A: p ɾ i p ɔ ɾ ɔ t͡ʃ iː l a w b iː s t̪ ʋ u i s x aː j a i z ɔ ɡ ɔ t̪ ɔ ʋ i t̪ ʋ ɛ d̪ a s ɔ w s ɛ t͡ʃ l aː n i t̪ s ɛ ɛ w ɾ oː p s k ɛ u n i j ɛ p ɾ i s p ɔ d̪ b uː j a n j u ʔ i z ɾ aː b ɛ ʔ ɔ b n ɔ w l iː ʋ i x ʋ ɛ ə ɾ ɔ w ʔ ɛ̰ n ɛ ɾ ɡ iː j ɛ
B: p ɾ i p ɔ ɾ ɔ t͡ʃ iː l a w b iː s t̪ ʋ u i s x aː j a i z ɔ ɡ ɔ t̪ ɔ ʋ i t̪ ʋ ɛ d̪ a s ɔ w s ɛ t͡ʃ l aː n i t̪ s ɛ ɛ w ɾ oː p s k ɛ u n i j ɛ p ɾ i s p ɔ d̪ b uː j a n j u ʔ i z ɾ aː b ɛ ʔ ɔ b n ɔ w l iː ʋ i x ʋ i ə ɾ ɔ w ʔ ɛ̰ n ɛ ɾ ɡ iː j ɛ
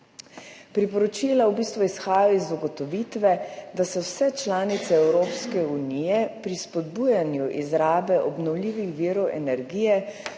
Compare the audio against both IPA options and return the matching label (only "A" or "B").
B